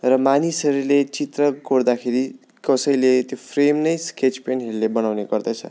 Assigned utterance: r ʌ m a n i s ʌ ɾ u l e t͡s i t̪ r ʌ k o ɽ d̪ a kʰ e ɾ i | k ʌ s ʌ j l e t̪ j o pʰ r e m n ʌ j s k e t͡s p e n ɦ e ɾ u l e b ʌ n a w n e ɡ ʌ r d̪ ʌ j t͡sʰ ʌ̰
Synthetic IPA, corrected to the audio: r ʌ m a n i s ʌ ɾ u l e t͡s i t̪ r ʌ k o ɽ d̪ a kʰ e ɾ i | k ʌ s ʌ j l e t̪ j o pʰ r e m n ʌ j s k e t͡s p e n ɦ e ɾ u l e b ʌ n a w n e ɡ ʌ r d̪ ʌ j t͡sʰ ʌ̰

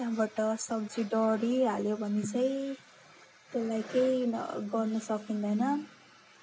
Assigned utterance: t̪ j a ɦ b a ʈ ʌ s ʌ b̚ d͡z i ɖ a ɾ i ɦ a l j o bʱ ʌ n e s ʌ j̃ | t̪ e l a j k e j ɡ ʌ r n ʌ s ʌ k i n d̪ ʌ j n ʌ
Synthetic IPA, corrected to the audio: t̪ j a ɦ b a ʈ ʌ s ʌ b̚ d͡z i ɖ ʌ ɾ i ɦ a l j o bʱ ʌ n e t͡s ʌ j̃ | t̪ e l a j k e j ɡ ʌ r n ʌ s ʌ k i n d̪ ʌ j n ʌ

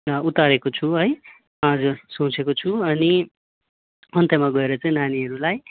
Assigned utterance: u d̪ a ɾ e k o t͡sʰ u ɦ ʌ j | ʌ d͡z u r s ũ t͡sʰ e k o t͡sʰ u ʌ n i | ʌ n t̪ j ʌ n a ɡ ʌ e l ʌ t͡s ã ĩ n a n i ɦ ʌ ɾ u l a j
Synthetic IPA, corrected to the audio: u t̪ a ɾ e k o t͡sʰ u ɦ ʌ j | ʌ d͡z u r s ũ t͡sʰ e k o t͡sʰ u ʌ n i | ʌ n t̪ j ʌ m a ɡ ʌ e ɾ ʌ t͡s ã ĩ n a n i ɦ ʌ ɾ u l a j

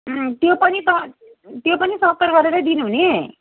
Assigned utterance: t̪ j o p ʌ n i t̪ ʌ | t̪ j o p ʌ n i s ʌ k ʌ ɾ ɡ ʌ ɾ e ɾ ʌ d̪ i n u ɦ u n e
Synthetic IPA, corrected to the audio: t̪ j o p ʌ n i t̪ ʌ | t̪ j o p ʌ n i s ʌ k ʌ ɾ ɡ ʌ ɾ e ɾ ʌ d̪ i n u ɦ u n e

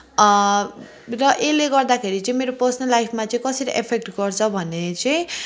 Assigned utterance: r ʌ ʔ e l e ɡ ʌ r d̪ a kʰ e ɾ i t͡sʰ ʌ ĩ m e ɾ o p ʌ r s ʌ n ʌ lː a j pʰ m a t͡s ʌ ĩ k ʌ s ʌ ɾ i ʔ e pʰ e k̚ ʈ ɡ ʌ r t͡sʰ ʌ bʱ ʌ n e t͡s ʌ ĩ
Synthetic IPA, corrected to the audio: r ʌ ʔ e l e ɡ ʌ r d̪ a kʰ e ɾ i t͡s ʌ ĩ m e ɾ o p ʌ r s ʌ n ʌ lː a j pʰ m a t͡s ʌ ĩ k ʌ s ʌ ɾ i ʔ e pʰ e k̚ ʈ ɡ ʌ r t͡sʰ ʌ bʱ ʌ n e t͡s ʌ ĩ

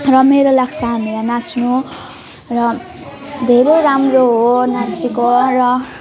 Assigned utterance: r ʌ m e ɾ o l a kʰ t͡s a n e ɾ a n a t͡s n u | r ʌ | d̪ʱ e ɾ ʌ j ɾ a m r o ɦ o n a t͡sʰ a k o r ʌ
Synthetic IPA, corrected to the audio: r ʌ m e ɾ o l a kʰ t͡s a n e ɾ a n a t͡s n u | r ʌ | d̪ʱ e ɾ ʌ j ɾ a m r o ɦ o n a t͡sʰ i k o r ʌ

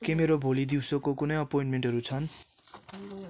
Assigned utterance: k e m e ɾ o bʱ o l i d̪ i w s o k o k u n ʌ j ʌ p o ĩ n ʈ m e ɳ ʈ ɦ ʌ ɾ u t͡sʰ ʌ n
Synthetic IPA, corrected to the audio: k e m e ɾ o bʱ o l i d̪ i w s o k o k u n ʌ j ʌ p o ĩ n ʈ m e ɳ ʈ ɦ ʌ ɾ u t͡sʰ ʌ n

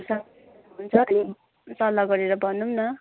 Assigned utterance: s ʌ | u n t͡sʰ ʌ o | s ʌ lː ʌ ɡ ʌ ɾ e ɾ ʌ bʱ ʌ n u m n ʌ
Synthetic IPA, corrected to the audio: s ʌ | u n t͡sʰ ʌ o | s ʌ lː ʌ ɡ ʌ ɾ e ɾ ʌ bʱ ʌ n u m n ʌ

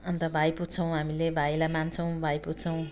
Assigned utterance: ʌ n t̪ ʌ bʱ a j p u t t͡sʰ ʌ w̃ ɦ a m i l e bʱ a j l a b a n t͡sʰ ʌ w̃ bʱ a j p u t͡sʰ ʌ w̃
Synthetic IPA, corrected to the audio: ʌ n t̪ ʌ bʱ a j p u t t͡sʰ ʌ w̃ ɦ a m i l e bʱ a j l a m a n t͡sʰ ʌ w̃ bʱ a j p u t͡sʰ ʌ w̃

